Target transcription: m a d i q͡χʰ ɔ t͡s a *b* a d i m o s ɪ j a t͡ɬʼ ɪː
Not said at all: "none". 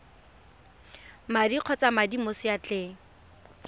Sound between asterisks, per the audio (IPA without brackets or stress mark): m